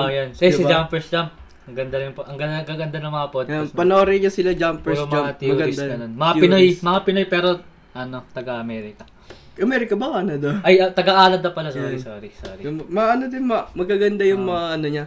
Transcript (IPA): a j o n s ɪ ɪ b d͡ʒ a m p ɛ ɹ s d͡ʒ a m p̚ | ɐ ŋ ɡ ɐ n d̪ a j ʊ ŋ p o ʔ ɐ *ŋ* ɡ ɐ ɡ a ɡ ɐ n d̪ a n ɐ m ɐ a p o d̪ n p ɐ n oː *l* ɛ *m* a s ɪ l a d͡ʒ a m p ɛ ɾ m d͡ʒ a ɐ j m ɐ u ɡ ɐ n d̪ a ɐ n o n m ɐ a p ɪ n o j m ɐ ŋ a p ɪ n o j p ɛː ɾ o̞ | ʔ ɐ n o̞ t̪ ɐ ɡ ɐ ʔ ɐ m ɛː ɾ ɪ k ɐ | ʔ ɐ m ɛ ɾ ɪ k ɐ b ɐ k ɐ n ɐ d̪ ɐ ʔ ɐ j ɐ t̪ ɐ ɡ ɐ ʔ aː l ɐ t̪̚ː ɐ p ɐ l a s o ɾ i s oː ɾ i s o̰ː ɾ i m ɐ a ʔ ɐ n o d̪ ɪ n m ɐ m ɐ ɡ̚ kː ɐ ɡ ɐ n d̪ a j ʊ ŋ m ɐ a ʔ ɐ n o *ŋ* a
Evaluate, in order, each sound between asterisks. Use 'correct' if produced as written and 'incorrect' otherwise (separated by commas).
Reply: correct, incorrect, incorrect, incorrect